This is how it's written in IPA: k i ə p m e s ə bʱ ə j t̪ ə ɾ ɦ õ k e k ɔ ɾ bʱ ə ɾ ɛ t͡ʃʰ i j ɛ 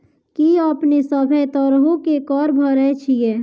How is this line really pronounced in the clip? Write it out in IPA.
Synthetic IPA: k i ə p n e s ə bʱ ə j t̪ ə ɾ ɦ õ k e k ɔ ɾ bʱ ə ɾ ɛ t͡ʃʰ i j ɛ